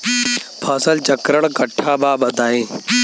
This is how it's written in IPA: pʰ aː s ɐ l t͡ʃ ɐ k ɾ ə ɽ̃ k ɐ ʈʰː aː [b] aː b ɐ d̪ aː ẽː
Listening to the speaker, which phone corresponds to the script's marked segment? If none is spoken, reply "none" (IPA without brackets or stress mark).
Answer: b